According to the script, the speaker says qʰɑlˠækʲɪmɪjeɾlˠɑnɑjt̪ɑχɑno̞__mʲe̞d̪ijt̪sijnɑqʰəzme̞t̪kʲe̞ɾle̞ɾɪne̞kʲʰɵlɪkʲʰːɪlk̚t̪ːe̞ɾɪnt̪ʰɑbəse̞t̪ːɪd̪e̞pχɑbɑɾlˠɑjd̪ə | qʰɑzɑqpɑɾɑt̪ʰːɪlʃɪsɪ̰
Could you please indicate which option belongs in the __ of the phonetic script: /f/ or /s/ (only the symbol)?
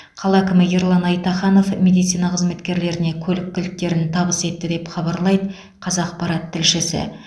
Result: f